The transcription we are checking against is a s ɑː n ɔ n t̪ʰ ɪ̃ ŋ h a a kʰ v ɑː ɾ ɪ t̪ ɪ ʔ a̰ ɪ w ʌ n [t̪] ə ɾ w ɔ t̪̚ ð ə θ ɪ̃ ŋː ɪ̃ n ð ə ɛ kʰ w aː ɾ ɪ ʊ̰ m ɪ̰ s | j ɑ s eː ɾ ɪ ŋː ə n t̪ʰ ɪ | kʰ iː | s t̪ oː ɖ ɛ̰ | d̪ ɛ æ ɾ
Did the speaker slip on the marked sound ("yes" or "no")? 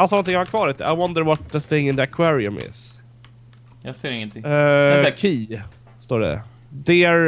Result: yes